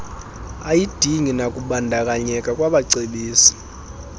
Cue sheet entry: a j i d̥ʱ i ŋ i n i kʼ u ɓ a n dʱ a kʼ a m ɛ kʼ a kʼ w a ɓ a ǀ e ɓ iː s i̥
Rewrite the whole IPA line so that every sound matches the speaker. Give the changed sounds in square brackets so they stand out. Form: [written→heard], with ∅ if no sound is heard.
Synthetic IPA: a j i d̥ʱ i ŋ i n [i→a] kʼ u ɓ a n dʱ a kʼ a [m→ɲ] ɛ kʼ a kʼ w a ɓ a ǀ e ɓ iː s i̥